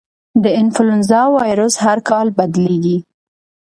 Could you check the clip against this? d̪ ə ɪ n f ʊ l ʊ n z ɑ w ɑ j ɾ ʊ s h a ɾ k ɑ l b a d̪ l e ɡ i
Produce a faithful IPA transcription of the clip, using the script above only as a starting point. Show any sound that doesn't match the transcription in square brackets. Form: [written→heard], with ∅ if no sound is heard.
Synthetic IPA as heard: d̪ ə ɪ n f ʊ l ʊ n z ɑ w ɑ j ɾ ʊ s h a ɾ k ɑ l b a d̪ l e ɡ i

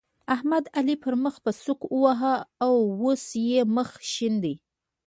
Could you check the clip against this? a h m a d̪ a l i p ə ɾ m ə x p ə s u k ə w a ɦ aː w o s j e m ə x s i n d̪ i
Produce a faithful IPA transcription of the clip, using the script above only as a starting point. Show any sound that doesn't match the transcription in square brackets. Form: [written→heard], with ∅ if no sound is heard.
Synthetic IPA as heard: a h m a d̪ a l i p ə ɾ m ə x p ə s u k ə w a ɦ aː w o s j e m ə x [s→ʃ] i n d̪ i

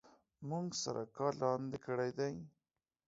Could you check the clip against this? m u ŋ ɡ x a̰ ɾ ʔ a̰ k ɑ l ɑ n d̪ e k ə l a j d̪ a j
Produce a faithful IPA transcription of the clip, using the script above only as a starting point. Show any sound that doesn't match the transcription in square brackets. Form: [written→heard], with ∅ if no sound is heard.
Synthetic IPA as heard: m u ŋ ɡ [x→s] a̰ ɾ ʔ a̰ k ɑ l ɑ n d̪ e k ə [l→ɽ] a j d̪ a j

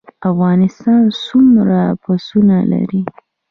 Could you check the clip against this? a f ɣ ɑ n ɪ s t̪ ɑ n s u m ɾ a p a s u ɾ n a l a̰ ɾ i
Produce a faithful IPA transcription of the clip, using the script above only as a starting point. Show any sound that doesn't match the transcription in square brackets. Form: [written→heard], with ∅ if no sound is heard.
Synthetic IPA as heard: a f ɣ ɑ n ɪ s t̪ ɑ n s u m ɾ a p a s u [ɾ→∅] n a l a̰ ɾ i

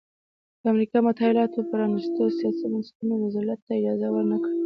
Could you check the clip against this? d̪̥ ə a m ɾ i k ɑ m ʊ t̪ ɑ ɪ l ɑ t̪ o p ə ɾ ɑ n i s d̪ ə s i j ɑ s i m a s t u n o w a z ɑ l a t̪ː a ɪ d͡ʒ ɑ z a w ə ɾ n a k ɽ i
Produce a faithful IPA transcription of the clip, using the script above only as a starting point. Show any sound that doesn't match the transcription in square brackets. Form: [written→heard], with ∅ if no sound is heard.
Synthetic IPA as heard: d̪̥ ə a m ɾ i k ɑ m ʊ t̪ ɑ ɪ l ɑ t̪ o p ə ɾ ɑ n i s [d̪→t̪] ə s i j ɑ s i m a s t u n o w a z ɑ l a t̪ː a ɪ d͡ʒ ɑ z a w ə ɾ n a k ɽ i

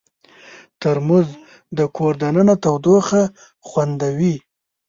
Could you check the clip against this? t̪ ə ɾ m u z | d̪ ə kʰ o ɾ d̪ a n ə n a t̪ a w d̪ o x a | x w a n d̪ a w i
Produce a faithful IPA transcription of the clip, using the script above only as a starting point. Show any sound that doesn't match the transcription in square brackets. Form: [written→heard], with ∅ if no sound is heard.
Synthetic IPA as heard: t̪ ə ɾ m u z | d̪ ə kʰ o ɾ d̪ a n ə n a t̪ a w d̪ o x a | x w a n d̪ a w i

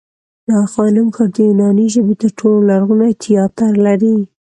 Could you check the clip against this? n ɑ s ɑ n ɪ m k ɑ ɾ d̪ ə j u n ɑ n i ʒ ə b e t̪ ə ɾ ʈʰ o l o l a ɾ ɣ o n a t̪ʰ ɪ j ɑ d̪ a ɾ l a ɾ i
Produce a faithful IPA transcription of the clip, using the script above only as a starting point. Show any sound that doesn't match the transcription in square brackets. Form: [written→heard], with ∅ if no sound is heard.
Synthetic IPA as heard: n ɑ [s→x] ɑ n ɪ m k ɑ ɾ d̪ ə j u n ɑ n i ʒ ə b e t̪ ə ɾ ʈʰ o l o l a ɾ ɣ [o→u] n a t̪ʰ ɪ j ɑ [d̪→t̪] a ɾ l a ɾ i

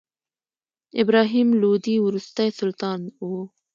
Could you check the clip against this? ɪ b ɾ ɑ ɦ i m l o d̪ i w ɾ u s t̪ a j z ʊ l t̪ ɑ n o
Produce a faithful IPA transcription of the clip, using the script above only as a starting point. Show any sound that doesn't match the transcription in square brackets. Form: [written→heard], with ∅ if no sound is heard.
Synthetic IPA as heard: ɪ b ɾ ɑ ɦ i m l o d̪ i w ɾ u s t̪ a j [z→s] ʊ l t̪ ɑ n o

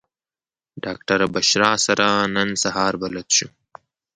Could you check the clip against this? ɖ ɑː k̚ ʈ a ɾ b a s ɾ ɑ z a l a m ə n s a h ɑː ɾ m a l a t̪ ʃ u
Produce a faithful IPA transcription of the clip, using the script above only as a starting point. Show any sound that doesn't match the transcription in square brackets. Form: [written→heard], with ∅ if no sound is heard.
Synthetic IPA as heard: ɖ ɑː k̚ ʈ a ɾ b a [s→ʃ] ɾ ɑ [z→s] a [l→ɾ] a [m→n] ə n s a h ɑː ɾ [m→b] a l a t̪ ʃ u

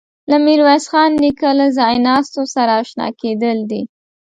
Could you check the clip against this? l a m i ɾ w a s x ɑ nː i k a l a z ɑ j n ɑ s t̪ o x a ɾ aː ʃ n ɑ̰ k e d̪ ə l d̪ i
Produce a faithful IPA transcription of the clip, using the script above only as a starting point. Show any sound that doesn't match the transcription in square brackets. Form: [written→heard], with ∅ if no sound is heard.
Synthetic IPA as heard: l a m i ɾ w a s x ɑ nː i k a l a z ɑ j n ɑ s t̪ o [x→s] a ɾ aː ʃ n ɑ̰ k e d̪ ə l d̪ i

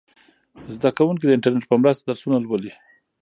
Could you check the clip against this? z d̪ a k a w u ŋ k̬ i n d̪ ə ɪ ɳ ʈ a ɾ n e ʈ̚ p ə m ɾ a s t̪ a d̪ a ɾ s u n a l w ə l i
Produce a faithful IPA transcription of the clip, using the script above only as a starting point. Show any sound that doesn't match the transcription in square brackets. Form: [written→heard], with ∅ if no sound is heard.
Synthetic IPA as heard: z d̪ a k a w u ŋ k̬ i [n→∅] d̪ ə ɪ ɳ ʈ a ɾ n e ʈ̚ p ə m ɾ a s t̪ a d̪ a ɾ s u n a l w ə l i

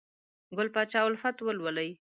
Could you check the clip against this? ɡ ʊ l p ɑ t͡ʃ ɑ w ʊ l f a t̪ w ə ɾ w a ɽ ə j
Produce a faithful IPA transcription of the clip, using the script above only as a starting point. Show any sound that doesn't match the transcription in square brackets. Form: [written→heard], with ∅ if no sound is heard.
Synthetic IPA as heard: ɡ ʊ l p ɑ t͡ʃ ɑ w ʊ l f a t̪ w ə [ɾ→l] w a [ɽ→l] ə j

